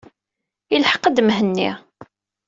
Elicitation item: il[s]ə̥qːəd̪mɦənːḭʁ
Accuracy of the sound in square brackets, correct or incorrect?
incorrect